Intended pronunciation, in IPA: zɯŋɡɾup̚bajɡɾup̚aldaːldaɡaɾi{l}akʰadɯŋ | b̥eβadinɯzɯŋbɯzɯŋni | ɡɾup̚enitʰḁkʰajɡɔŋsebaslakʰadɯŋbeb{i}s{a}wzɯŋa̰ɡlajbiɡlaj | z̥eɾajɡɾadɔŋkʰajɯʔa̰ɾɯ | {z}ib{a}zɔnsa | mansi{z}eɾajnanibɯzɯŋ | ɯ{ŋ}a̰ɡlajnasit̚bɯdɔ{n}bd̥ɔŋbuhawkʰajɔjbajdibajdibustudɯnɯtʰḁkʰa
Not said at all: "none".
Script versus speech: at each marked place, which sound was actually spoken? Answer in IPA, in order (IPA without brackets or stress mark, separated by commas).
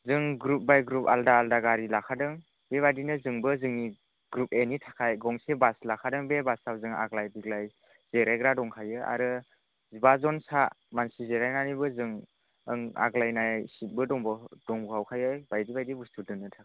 l, a, a, z, a, z, ŋ, ŋ